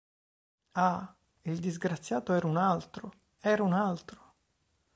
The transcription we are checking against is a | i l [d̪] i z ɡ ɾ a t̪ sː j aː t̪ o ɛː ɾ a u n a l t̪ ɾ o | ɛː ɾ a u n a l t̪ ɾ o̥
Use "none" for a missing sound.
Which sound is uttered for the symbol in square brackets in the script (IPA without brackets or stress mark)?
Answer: d̪